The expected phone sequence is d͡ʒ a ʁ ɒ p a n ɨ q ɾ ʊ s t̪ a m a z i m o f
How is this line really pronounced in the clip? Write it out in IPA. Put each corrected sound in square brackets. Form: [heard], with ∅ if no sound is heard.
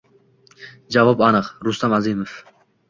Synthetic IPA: d͡ʒ a [v] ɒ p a n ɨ q ɾ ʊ s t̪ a m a z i m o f